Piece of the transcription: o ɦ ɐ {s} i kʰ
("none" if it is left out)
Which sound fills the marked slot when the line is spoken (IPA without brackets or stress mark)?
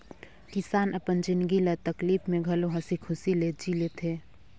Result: s